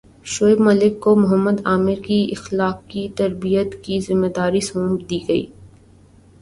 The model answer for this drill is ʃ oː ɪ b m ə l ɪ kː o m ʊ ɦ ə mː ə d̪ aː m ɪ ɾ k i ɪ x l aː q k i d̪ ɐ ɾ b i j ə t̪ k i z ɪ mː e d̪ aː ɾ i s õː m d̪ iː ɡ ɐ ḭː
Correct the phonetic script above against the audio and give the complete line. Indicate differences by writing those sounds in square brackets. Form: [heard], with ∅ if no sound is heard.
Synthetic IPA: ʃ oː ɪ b m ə l ɪ kː o m ʊ ɦ ə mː ə d̪ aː m ɪ ɾ k i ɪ x l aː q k i [t̪] ɐ ɾ b i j ə t̪ k i z ɪ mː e d̪ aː ɾ i s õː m d̪ iː ɡ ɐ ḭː